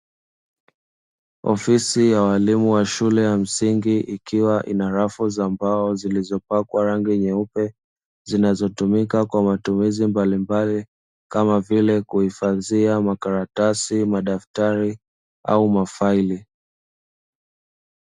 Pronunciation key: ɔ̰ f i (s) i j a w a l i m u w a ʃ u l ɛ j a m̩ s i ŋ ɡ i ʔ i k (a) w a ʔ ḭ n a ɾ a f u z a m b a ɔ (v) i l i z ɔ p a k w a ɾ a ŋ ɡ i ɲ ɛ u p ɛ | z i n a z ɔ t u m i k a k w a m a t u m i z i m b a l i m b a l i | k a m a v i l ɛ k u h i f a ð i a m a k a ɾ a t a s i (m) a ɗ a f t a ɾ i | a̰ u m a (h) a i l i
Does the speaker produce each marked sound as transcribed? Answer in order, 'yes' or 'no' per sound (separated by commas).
yes, no, no, yes, no